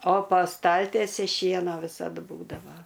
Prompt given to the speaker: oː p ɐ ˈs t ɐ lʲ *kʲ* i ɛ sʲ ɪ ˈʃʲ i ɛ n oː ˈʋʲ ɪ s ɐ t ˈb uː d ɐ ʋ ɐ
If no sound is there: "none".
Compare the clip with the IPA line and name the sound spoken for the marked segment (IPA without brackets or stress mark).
tʲ